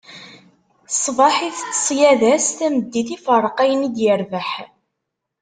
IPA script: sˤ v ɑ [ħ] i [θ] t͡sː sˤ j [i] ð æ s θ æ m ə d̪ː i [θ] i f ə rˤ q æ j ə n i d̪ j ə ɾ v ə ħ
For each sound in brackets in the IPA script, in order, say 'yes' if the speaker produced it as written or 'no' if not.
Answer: yes, yes, no, yes

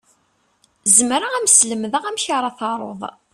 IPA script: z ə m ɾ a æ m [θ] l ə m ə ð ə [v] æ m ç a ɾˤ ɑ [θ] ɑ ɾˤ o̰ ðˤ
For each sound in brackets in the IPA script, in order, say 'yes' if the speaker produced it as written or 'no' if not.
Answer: no, no, yes

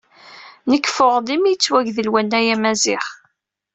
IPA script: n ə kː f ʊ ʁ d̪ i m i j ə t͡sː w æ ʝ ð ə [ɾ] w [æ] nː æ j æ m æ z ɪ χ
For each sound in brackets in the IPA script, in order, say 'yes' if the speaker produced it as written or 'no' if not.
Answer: no, yes

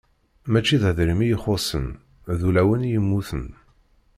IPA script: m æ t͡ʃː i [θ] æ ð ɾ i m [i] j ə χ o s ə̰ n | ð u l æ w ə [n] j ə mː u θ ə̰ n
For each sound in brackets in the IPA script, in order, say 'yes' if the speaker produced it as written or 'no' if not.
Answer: no, yes, yes

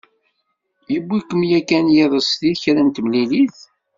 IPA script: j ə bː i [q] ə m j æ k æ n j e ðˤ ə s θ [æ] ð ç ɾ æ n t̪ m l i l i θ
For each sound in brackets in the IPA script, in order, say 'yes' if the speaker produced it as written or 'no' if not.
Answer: no, no

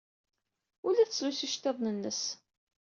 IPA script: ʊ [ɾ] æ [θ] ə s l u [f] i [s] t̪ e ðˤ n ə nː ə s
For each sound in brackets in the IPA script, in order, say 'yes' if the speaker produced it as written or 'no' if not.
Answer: no, yes, no, no

